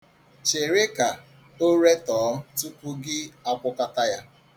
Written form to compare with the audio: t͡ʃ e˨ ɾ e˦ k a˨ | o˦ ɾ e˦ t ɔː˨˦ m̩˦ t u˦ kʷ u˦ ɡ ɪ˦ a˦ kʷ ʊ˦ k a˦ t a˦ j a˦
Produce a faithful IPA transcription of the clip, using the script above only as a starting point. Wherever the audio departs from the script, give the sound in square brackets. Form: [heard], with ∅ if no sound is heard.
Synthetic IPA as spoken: t͡ʃ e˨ ɾ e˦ k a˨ | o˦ ɾ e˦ t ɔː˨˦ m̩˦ t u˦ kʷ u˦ ɡ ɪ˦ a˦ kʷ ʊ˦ k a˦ t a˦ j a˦

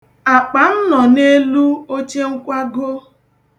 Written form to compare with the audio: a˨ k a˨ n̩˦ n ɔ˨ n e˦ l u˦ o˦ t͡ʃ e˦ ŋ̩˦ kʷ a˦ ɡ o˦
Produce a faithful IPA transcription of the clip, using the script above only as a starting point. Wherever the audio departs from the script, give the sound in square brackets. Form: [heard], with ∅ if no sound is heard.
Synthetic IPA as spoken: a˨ [k͡p] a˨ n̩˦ n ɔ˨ n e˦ l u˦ o˦ t͡ʃ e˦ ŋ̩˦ kʷ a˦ ɡ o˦

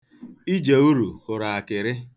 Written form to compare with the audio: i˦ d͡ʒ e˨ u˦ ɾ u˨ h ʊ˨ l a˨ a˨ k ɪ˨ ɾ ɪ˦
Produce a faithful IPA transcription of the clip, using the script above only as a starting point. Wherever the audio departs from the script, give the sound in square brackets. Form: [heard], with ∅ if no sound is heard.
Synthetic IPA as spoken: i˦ d͡ʒ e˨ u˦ ɾ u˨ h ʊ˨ [ɾ] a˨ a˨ k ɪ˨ ɾ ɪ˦

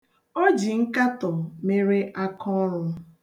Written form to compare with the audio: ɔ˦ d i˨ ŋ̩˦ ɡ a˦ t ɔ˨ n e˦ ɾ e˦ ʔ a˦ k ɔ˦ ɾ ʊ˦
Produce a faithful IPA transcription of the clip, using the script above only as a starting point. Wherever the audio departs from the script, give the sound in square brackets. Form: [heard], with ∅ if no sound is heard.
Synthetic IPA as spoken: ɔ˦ [d͡ʒ] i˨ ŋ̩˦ [k] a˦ t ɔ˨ [m] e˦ ɾ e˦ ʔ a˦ k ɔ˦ ɾ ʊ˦

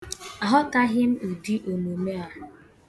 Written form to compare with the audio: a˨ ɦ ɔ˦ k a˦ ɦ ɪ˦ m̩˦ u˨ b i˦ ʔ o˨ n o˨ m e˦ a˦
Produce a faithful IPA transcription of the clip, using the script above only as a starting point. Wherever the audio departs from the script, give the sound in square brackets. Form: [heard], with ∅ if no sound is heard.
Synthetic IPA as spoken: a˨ ɦ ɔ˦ k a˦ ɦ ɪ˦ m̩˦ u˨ [d] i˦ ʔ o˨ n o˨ m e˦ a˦

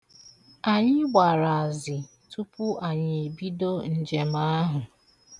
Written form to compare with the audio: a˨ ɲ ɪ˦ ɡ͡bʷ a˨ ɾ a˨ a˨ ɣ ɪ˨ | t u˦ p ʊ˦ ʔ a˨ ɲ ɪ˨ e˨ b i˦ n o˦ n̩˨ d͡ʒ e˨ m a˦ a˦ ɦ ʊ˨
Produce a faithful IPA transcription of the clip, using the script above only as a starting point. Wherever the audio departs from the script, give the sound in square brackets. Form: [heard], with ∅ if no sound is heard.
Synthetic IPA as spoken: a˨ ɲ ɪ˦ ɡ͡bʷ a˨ ɾ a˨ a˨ [z] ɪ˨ | t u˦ p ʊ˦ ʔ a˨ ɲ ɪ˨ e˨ b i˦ [d] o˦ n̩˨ d͡ʒ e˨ m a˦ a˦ ɦ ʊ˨

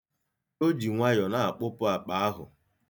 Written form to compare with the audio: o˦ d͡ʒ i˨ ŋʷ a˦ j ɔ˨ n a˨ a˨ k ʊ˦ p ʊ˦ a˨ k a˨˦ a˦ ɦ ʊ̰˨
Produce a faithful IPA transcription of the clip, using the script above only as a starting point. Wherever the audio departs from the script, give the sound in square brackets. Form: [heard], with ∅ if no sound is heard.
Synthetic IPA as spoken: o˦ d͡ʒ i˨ ŋʷ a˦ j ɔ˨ n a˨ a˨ [k͡p] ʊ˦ p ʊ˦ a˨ [k͡p] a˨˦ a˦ ɦ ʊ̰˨

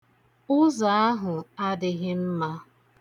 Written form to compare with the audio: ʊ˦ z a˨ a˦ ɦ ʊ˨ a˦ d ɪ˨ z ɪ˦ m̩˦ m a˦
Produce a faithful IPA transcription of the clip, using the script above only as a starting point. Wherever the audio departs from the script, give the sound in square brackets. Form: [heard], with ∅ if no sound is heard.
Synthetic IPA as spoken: ʊ˦ z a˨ a˦ ɦ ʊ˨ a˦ d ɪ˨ [ɣ] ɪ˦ m̩˦ m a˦

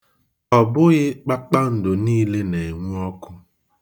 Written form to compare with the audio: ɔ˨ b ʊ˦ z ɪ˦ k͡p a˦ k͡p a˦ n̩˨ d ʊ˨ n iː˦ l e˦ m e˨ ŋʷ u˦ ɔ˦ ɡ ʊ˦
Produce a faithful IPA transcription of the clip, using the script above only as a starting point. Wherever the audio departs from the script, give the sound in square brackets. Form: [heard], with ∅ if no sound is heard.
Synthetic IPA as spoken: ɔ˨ b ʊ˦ [ɣ] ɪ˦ k͡p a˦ k͡p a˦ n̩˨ d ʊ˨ n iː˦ l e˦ [n] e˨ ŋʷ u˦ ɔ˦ [k] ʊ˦

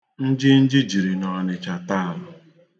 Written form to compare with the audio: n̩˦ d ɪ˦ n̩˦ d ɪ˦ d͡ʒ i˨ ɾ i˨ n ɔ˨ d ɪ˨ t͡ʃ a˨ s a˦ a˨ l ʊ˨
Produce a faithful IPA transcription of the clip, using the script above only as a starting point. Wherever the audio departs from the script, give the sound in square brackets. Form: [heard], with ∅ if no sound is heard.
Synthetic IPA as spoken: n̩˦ [d͡ʒ] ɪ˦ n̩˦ [d͡ʒ] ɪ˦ d͡ʒ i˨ ɾ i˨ n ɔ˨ [n] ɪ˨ t͡ʃ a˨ [t] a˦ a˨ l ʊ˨

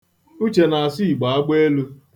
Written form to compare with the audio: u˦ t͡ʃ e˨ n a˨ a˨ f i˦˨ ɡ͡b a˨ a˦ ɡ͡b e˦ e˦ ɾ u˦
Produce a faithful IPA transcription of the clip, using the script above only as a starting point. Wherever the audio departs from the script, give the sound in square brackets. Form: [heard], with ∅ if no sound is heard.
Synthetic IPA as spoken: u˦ t͡ʃ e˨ n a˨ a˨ [s] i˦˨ ɡ͡b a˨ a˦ ɡ͡b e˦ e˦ [l] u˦

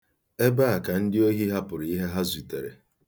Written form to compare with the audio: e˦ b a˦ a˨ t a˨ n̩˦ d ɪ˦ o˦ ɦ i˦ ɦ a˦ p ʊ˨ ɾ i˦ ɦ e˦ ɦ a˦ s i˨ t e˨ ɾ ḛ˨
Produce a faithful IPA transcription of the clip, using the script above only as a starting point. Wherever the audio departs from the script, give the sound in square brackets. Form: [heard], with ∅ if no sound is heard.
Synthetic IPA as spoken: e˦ b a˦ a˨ [k] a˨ n̩˦ d ɪ˦ o˦ ɦ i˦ ɦ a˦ p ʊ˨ ɾ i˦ ɦ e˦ ɦ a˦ [z] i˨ t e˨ ɾ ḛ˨

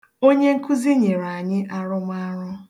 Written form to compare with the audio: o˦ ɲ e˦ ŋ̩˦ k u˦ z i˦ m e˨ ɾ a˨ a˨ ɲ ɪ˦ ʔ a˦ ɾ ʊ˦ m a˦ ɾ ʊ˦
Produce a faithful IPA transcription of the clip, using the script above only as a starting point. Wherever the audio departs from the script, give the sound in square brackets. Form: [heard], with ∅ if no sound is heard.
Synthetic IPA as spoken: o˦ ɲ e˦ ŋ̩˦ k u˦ z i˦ [ɲ] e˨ ɾ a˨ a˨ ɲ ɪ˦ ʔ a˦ ɾ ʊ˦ m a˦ ɾ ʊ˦

